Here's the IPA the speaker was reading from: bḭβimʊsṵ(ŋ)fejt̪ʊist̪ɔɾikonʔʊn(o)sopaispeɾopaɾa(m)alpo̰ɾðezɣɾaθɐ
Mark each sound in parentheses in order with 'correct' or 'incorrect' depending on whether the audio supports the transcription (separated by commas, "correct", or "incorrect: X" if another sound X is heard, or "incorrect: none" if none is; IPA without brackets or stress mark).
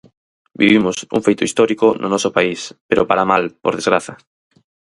correct, incorrect: ɔ, correct